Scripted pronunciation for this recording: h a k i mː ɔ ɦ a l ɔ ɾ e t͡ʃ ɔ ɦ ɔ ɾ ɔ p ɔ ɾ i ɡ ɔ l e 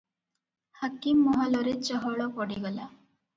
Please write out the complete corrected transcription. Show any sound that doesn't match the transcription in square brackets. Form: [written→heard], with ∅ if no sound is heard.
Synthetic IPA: h a k i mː ɔ ɦ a l ɔ ɾ e t͡ʃ ɔ ɦ ɔ [ɾ→ɭ] ɔ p ɔ [ɾ→ɽ] i ɡ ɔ l [e→a]